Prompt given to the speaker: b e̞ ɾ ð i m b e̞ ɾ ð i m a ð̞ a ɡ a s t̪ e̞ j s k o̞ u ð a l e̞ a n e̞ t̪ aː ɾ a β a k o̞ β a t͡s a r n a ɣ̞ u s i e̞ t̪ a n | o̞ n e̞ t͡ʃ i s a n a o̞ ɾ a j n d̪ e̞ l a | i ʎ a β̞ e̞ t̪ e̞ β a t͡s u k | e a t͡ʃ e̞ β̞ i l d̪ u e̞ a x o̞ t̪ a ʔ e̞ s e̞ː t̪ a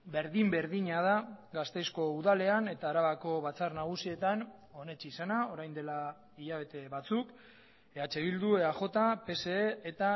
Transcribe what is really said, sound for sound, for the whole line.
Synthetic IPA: b e̞ ɾ ð i m b e̞ ɾ ð i ɲ a ð̞ a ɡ a s t̪ e̞ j s k o̞ u ð a l e̞ a n e̞ t̪ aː ɾ a β a k o̞ β a t͡s a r n a ɣ̞ u s i e̞ t̪ a n | o̞ n e̞ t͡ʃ i s a n a o̞ ɾ a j n d̪ e̞ l a | i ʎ a β̞ e̞ t̪ e̞ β a t͡s u k | e a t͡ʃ e̞ β̞ i l d̪ u e̞ a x o̞ t̪ a p e̞ s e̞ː t̪ a